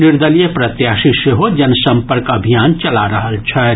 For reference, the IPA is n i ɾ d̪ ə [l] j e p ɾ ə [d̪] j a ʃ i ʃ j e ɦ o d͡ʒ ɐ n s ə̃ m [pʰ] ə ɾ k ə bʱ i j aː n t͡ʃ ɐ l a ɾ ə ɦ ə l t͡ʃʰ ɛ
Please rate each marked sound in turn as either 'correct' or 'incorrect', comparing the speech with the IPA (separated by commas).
correct, incorrect, incorrect